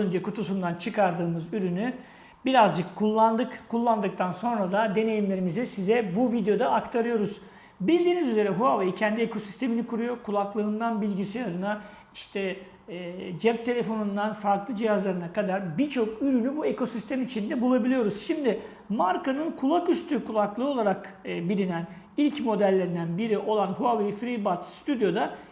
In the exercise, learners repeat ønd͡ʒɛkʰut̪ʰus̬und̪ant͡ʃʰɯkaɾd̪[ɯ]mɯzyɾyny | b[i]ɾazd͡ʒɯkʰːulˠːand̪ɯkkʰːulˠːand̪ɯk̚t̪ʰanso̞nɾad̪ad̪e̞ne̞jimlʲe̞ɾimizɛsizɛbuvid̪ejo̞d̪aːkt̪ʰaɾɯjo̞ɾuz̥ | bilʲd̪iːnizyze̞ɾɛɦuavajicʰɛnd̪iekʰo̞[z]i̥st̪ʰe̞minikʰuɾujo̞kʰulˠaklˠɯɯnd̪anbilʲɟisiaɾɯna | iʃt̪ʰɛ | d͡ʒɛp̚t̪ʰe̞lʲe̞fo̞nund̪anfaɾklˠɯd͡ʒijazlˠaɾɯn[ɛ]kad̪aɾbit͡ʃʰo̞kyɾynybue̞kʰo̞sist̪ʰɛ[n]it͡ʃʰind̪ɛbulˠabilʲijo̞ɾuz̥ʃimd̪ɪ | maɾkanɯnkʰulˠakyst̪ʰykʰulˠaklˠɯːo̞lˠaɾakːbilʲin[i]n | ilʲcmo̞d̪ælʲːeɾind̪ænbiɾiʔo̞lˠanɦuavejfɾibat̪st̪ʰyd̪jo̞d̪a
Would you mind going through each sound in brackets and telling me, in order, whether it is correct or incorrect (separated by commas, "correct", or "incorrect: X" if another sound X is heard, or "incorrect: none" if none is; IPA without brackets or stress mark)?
incorrect: ɯː, correct, incorrect: s, incorrect: a, incorrect: m, incorrect: æ